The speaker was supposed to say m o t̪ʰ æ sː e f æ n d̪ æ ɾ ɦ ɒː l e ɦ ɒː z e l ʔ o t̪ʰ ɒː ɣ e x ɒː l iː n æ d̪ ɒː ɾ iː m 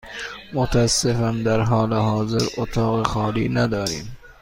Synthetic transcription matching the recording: m o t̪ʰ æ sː e f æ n d̪ æ ɾ ɦ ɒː l e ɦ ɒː z e ɾ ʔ o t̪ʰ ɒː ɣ e x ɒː l iː n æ d̪ ɒː ɾ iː m

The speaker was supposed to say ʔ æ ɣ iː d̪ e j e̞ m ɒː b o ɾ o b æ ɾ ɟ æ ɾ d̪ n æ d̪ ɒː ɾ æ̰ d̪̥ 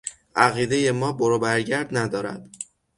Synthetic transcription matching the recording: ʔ æ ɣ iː d̪ e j e̞ m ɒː b o ɾ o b æ ɾ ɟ æ ɾ d̪ n æ d̪ ɒː ɾ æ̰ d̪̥

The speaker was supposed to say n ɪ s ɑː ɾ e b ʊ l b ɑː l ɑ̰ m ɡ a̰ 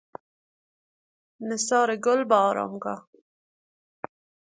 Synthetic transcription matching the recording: n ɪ s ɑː ɾ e ɡ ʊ l b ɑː ɾ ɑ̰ m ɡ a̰

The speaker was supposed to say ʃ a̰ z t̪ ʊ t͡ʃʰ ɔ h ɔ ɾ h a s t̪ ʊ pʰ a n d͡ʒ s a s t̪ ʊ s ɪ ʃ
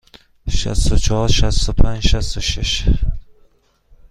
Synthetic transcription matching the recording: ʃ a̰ s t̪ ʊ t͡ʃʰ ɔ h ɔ ɾ ʃ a s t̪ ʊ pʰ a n d͡ʒ ʃ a s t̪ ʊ ʃ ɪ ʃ

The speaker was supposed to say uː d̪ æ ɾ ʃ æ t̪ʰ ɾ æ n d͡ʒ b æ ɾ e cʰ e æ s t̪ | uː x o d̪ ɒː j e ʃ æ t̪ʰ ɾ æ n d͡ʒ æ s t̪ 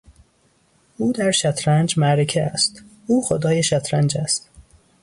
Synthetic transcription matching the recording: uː d̪ æ ɾ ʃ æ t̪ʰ ɾ æ n d͡ʒ m æ ɾ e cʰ e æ s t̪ | uː x o d̪ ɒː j e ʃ æ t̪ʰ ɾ æ n d͡ʒ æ s t̪

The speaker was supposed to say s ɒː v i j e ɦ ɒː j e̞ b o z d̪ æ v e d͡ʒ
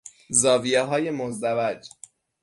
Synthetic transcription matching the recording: z ɒː v i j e ɦ ɒː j e̞ m o z d̪ æ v æ d͡ʒ

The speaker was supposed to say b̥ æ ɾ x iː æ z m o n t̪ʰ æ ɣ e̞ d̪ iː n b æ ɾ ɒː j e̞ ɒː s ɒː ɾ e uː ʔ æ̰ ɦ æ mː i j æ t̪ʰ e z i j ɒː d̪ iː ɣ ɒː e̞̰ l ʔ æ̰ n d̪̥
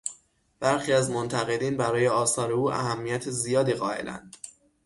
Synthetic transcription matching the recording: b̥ æ ɾ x iː æ z m o n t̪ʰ æ ɣ e̞ d̪ iː n b æ ɾ ɒː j e̞ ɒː s ɒː ɾ e uː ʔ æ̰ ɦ æ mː i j æ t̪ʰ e z i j ɒː d̪ iː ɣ ɒː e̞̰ l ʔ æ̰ n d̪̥

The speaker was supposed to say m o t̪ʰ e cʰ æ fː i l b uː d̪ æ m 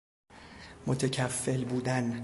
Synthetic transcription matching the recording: m o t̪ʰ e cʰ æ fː e l b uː d̪ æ n

